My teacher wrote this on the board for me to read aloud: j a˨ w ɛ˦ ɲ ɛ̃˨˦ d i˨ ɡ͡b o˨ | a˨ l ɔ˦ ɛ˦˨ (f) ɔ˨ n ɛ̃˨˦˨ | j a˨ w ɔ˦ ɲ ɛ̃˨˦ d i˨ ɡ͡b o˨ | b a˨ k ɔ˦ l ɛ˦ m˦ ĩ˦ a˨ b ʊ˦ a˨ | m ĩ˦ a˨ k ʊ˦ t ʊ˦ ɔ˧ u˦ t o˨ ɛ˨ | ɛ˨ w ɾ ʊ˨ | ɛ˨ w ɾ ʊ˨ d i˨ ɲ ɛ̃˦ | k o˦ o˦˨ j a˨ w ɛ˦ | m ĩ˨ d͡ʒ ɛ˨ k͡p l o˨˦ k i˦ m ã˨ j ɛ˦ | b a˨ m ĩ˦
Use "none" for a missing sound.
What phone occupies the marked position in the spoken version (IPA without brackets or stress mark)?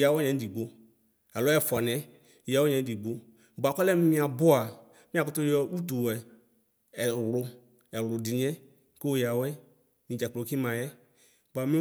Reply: f